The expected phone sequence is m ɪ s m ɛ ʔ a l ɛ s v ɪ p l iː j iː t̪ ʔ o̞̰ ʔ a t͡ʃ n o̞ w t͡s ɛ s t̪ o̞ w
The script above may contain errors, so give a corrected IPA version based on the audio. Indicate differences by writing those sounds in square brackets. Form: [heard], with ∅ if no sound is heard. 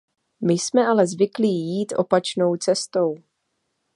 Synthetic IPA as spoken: m ɪ s m ɛ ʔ a l ɛ [z] v ɪ [k] l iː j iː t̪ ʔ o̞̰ [p] a t͡ʃ n o̞ w t͡s ɛ s t̪ o̞ w